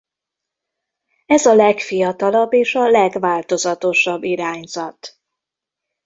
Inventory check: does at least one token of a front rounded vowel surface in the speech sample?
no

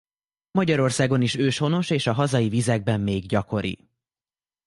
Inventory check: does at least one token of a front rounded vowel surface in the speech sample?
yes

